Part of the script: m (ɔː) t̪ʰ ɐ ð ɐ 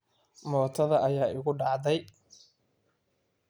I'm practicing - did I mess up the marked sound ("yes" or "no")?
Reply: no